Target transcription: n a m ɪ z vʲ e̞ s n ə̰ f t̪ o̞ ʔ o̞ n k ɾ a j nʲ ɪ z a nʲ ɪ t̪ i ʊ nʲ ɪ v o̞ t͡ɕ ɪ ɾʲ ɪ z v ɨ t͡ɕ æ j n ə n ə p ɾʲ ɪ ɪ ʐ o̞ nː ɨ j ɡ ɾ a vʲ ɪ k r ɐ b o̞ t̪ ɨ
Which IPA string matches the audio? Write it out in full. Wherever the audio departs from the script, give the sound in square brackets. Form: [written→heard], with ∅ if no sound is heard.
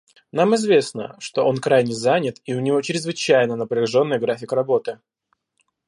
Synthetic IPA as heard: n a m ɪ z vʲ e̞ s n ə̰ [f→ʂ] t̪ o̞ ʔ o̞ n k ɾ a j nʲ ɪ z a nʲ ɪ t̪ i ʊ nʲ ɪ v o̞ t͡ɕ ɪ ɾʲ ɪ z v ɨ t͡ɕ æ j n ə n ə p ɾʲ ɪ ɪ ʐ o̞ nː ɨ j ɡ ɾ a [vʲ→fʲ] ɪ k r ɐ b o̞ t̪ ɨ